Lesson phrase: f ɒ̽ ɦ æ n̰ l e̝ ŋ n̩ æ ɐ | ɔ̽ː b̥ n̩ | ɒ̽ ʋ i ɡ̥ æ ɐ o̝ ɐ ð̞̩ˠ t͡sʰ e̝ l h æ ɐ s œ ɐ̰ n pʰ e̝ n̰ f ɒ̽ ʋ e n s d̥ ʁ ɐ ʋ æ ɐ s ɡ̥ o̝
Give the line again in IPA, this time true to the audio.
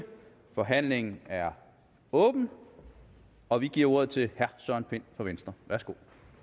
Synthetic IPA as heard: f ɒ̽ ɦ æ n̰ l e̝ ŋ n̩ æ ɐ | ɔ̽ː b̥ n̩ | ɒ̽ ʋ i ɡ̥ i ɐ o̝ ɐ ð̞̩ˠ t͡sʰ e̝ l h æ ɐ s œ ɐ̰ n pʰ e̝ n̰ f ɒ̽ ʋ e n s d̥ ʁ ɐ ʋ æ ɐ s ɡ̥ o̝